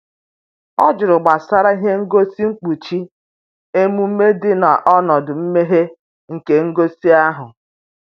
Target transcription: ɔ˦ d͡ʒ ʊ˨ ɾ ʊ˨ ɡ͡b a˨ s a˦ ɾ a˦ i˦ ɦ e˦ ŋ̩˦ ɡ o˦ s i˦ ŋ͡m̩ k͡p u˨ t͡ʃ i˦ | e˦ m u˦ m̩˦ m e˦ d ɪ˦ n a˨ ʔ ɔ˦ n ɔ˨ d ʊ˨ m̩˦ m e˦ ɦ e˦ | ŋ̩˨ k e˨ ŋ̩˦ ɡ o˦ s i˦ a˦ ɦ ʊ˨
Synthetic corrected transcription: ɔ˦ d͡ʒ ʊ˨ ɾ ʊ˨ ɡ͡b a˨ s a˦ ɾ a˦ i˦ ɦ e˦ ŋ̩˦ ɡ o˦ s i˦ ŋ͡m̩ k͡p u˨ t͡ʃ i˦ | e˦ m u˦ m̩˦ m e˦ d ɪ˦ n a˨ ʔ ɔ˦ n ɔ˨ d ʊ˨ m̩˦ m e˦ ɦ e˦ | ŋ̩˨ k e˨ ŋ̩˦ ɡ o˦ s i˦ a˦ ɦ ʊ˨